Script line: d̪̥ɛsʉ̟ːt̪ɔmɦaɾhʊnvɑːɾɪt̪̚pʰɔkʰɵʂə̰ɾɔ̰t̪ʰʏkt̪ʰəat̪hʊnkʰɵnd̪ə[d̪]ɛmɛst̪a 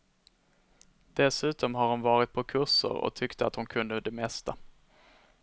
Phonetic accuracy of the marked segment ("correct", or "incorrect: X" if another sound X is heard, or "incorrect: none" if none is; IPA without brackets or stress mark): correct